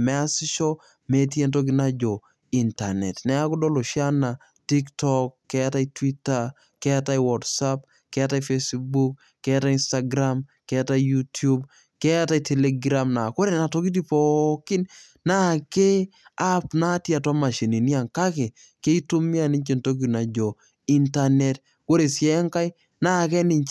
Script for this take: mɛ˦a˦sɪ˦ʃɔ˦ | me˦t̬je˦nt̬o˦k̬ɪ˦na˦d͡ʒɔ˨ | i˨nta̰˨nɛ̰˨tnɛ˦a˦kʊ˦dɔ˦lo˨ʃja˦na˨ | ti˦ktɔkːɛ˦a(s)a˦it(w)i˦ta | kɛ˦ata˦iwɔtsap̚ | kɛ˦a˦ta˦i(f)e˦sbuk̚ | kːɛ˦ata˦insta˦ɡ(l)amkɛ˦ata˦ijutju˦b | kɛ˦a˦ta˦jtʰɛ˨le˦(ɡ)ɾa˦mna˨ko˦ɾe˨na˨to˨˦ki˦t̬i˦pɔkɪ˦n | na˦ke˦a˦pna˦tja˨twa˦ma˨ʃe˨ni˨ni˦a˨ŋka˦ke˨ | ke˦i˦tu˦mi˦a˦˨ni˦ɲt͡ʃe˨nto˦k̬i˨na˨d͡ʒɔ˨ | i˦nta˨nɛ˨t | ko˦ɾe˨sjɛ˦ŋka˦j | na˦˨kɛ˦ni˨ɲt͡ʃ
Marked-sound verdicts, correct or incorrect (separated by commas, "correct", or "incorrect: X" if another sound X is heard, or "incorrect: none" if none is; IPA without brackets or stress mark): incorrect: t, correct, correct, incorrect: ɾ, correct